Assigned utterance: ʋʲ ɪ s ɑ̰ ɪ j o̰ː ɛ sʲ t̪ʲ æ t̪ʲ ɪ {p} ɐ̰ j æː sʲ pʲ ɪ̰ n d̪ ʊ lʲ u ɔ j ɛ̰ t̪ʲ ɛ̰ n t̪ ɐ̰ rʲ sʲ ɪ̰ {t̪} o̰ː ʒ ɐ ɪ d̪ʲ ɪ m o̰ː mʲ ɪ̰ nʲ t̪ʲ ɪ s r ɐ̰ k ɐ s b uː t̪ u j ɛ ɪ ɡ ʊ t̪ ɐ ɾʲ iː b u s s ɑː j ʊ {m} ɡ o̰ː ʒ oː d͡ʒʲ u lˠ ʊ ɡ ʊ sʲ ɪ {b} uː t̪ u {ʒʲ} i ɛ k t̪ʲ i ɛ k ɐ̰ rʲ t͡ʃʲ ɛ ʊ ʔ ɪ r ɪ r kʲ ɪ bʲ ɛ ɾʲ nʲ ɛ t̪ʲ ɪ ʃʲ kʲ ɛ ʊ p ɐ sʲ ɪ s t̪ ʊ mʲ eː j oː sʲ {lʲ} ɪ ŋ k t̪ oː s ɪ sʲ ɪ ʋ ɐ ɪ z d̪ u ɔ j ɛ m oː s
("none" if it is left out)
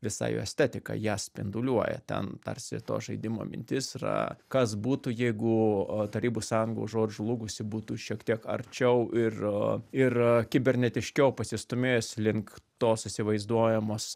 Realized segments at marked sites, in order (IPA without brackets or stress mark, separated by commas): k, t̪, ŋ, b, ʃʲ, lʲ